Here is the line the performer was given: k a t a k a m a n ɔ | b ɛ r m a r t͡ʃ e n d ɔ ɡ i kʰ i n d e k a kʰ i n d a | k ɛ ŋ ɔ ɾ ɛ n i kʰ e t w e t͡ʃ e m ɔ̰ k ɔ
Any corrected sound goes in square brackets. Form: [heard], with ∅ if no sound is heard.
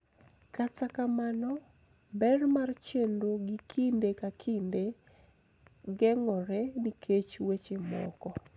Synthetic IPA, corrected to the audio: k a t a k a m a n ɔ | b ɛ r m a r t͡ʃ e n d [o] ɡ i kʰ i n d e k a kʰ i n d [e] | [ɡ] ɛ ŋ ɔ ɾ ɛ n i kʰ e [t͡ʃ] w e t͡ʃ e m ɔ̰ k ɔ